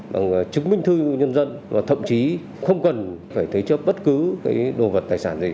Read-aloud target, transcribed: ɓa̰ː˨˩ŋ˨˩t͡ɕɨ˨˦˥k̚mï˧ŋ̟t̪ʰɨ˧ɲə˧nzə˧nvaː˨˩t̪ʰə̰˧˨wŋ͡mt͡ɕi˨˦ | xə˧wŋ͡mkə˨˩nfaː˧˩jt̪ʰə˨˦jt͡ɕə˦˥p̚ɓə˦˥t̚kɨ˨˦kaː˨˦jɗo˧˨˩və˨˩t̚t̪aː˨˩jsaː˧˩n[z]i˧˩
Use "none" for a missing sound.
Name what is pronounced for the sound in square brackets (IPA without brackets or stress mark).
z